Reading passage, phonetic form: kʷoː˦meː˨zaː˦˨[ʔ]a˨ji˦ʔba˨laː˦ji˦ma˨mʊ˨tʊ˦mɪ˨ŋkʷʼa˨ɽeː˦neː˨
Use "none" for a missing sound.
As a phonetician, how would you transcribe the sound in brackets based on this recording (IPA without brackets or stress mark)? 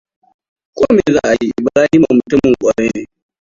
ʔ